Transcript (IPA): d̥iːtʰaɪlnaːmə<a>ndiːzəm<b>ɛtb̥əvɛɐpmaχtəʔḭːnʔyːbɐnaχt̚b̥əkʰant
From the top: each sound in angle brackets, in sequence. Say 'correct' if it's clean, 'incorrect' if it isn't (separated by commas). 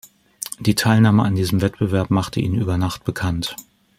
correct, incorrect